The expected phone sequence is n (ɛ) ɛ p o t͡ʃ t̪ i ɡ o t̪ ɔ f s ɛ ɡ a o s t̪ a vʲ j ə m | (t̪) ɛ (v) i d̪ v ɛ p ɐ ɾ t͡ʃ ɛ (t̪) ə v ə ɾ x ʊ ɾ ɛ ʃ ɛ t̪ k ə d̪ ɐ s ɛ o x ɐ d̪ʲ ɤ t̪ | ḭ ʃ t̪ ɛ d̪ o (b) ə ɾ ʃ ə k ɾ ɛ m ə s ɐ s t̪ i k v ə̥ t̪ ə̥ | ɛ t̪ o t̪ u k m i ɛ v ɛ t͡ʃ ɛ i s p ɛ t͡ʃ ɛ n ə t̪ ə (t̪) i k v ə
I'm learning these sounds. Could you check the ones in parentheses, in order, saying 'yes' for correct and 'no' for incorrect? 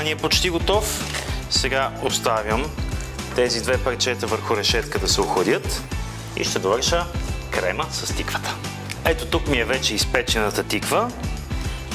no, yes, no, yes, no, yes

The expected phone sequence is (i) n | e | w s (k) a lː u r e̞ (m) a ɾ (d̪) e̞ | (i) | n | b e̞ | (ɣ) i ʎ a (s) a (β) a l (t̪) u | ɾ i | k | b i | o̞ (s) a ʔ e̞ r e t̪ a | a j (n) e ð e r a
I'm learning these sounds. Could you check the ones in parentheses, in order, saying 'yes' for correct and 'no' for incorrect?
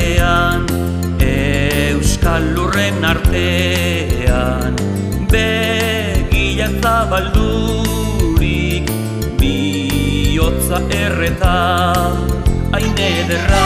no, yes, no, no, no, yes, yes, yes, no, no, yes

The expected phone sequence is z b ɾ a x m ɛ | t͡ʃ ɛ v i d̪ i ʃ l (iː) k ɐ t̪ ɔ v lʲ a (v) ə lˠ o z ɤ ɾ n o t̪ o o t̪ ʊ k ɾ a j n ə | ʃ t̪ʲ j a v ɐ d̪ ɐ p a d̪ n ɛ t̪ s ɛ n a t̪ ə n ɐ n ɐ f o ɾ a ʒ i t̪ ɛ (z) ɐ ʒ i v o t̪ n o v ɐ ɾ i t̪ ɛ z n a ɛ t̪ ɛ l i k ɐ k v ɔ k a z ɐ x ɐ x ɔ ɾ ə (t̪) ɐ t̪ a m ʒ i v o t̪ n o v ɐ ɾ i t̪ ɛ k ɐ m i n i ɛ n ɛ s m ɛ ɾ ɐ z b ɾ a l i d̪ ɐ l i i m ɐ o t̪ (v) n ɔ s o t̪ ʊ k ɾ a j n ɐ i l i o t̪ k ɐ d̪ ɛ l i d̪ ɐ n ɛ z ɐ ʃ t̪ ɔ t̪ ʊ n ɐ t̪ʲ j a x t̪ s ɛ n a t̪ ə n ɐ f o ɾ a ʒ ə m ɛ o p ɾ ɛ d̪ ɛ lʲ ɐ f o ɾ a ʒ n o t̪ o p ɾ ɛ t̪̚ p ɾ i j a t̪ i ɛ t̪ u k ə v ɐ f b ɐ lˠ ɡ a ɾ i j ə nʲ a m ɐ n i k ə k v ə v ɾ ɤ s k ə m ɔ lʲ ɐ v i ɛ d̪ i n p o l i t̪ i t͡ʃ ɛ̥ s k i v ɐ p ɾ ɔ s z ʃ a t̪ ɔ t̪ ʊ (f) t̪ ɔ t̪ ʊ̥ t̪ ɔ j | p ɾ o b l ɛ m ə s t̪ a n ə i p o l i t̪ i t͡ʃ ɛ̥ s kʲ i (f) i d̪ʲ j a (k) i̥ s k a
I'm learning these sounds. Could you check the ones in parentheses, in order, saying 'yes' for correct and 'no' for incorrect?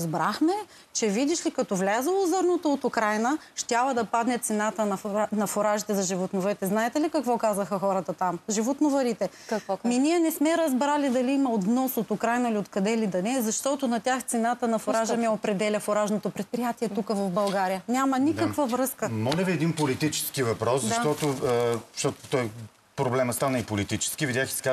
no, no, yes, yes, yes, no, no, no

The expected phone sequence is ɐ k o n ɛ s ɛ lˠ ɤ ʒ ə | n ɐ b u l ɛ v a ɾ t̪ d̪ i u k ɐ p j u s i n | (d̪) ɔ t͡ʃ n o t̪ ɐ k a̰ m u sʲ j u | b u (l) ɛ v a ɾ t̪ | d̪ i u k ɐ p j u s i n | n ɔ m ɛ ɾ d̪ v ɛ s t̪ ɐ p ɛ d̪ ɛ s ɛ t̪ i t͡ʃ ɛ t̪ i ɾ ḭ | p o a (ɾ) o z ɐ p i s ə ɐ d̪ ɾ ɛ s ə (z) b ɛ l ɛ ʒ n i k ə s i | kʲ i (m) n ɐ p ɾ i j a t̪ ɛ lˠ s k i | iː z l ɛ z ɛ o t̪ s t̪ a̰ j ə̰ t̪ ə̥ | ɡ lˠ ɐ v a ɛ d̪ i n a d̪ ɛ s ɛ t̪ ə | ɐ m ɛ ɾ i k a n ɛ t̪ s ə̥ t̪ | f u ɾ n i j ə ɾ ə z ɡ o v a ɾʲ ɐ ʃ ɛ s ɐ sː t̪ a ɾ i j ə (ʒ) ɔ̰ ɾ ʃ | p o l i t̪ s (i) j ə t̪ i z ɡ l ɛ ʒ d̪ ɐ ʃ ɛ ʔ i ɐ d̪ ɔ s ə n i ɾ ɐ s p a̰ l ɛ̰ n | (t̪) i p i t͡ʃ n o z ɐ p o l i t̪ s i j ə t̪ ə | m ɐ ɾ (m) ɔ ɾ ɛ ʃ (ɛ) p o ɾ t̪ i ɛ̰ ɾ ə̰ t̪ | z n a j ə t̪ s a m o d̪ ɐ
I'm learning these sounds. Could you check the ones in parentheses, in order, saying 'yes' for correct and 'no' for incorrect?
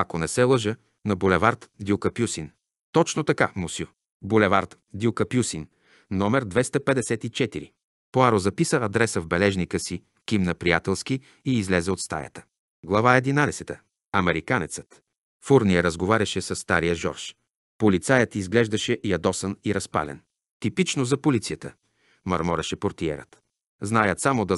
no, yes, yes, no, yes, yes, no, yes, yes, yes

